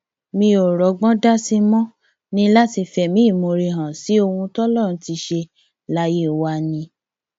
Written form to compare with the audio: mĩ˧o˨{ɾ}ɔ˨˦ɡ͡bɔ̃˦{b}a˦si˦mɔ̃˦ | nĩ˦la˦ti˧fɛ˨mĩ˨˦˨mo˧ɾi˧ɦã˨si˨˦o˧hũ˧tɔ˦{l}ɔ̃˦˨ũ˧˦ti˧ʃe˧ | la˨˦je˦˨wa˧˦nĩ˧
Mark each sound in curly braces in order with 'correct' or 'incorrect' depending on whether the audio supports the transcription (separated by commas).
correct, incorrect, correct